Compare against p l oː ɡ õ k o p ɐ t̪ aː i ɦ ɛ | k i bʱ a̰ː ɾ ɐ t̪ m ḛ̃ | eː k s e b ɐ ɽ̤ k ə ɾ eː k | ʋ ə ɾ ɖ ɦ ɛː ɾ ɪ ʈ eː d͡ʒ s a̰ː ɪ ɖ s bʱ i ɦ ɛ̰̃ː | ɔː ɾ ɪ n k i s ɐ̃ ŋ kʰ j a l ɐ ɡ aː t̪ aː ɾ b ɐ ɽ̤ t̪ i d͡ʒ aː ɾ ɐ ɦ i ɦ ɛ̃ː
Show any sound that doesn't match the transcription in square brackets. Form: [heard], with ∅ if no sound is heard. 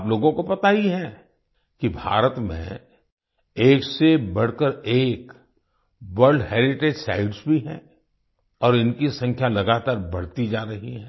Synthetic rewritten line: p l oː ɡ õ k o p ɐ t̪ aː i ɦ ɛ | k i bʱ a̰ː ɾ [ə] t̪ m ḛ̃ | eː k s e b ɐ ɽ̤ k ə ɾ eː k | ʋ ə ɾ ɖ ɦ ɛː ɾ ɪ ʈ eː d͡ʒ s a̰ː ɪ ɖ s bʱ i ɦ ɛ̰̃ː | ɔː ɾ ɪ n k i s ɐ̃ ŋ kʰ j a l ɐ ɡ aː t̪ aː ɾ b ɐ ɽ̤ t̪ i d͡ʒ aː ɾ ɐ ɦ i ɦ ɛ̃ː

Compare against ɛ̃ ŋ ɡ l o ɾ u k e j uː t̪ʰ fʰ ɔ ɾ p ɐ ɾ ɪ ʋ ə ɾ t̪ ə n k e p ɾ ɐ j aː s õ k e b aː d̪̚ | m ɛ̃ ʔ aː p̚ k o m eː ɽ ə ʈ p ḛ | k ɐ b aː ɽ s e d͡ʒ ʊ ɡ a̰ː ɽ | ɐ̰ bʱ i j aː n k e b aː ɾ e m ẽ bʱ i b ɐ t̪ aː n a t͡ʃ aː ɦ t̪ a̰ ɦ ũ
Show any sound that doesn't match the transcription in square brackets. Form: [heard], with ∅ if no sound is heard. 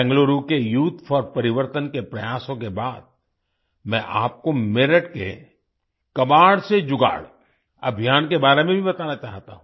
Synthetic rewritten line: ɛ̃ ŋ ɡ l o ɾ u k e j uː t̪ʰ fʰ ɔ ɾ p ɐ ɾ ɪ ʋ ə ɾ t̪ ə n k e p ɾ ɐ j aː s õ k e b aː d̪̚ | m ɛ̃ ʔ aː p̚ k o m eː [ɾ] ə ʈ [k] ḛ | k ɐ b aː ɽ s e d͡ʒ ʊ ɡ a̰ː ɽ | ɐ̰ bʱ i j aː n k e b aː ɾ e m ẽ bʱ i b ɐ t̪ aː n a t͡ʃ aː ɦ t̪ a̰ ɦ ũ

